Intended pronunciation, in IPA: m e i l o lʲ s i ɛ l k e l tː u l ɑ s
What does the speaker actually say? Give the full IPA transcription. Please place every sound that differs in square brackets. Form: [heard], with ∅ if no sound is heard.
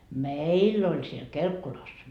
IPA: m e i [lː] o lʲ s i [e] l k e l [kː] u l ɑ s